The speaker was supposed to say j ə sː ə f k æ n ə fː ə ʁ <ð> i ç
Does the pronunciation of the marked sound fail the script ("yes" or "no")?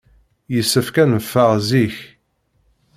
yes